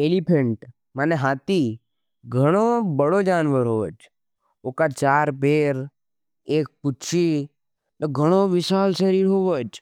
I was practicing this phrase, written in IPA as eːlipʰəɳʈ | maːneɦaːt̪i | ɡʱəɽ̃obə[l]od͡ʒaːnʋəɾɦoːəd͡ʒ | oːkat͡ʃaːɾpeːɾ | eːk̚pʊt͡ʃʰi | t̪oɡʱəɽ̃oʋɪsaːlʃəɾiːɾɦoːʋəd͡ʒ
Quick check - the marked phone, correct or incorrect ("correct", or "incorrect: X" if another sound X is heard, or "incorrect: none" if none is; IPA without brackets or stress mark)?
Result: incorrect: ɽ